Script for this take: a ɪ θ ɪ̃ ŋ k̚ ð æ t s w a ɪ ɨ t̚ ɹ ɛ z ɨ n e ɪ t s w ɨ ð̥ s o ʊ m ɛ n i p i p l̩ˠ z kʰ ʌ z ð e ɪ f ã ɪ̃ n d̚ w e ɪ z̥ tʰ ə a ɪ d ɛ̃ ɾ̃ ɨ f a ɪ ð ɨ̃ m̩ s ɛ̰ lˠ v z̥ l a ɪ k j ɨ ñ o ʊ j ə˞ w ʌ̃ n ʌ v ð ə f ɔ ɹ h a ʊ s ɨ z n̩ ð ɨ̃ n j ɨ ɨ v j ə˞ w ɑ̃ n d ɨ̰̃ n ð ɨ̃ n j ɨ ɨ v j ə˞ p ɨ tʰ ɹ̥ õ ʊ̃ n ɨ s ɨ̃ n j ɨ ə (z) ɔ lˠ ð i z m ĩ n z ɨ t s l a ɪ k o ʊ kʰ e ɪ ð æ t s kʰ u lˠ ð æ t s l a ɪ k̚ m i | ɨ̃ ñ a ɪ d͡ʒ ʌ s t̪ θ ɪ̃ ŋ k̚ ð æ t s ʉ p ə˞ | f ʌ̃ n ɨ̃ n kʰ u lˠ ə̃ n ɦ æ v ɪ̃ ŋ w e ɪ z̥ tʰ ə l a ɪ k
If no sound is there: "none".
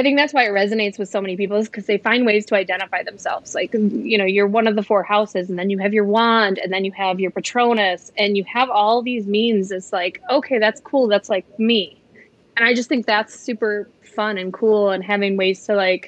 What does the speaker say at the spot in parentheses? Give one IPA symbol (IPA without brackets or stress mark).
v